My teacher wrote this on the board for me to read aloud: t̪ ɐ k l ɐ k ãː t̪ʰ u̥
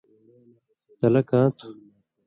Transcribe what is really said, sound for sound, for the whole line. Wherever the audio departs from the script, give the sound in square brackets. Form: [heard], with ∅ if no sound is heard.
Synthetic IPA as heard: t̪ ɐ [∅] l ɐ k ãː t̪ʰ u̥